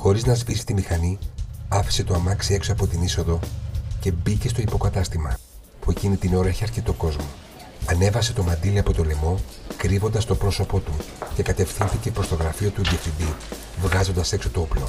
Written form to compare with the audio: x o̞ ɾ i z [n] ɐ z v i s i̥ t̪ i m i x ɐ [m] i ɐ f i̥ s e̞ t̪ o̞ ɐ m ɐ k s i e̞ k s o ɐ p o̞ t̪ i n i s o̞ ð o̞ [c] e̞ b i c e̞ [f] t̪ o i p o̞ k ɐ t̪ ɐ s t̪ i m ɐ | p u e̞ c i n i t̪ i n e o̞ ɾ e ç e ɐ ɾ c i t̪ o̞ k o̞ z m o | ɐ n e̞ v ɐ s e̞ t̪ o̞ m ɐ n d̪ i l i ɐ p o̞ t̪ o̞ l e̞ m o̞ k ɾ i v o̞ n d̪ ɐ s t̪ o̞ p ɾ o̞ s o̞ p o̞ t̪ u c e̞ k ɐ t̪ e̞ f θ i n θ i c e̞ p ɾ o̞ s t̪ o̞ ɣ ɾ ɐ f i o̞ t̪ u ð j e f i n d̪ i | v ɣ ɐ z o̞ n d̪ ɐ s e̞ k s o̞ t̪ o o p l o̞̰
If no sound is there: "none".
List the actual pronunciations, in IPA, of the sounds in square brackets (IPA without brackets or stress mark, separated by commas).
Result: n, n, c, s